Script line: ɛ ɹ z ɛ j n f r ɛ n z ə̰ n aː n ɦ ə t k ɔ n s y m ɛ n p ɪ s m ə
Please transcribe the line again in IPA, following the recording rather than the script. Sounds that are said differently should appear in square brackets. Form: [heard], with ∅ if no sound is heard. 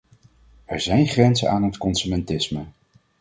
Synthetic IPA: ɛ ɹ z ɛ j n [χ] r ɛ n z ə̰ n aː n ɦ ə t k ɔ n s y m ɛ n [t] ɪ s m ə

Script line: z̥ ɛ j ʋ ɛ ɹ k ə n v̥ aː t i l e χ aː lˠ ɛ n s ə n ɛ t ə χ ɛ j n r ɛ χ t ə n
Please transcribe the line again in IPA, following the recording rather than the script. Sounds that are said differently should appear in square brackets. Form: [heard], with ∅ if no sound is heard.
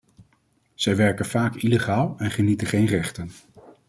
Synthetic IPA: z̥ ɛ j ʋ ɛ ɹ k ə n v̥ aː [k] i l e χ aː lˠ ɛ n [χ] ə n [i] t ə χ [e] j n r ɛ χ t ə n

